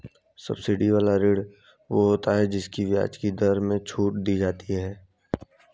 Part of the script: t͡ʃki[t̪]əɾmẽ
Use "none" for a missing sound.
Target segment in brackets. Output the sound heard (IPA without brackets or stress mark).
d̪